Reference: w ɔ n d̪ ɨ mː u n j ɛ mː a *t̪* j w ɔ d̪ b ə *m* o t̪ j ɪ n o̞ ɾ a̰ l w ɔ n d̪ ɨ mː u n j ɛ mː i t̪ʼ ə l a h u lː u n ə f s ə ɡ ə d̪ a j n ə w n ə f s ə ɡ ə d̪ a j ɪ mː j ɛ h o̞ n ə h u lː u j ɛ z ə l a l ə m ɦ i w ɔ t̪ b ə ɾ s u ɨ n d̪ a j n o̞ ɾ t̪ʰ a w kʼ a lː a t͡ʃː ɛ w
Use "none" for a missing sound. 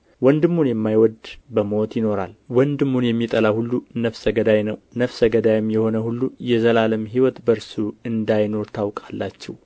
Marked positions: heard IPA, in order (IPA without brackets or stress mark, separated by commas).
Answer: none, m